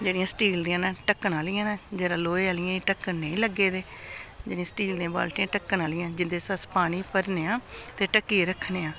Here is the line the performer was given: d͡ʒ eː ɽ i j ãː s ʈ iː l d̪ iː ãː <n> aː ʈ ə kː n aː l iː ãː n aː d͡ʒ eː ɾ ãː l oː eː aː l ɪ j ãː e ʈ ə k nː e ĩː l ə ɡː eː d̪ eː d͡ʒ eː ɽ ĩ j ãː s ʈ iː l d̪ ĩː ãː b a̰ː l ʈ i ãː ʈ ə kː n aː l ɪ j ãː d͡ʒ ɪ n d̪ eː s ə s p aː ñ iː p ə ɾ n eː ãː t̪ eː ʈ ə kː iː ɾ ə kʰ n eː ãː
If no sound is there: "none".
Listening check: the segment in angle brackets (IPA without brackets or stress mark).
n